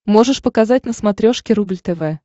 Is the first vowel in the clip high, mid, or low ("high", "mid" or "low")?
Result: mid